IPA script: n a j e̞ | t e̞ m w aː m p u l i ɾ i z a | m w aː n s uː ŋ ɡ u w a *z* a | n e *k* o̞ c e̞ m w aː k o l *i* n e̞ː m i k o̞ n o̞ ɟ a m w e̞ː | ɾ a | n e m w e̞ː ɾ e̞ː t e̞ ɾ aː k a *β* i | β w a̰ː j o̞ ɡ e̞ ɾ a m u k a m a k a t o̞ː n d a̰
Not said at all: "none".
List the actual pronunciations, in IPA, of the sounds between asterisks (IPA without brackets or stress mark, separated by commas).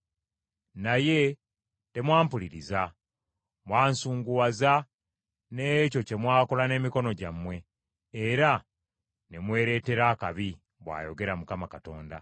z, c, a, β